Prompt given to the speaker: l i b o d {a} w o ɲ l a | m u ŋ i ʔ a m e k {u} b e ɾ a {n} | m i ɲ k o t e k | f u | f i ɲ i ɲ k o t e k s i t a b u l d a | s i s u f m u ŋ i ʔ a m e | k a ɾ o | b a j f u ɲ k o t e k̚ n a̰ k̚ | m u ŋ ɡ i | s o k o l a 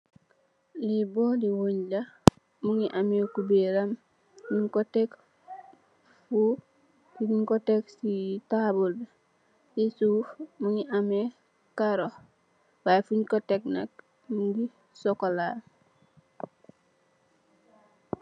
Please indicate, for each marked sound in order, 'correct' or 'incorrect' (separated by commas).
incorrect, correct, incorrect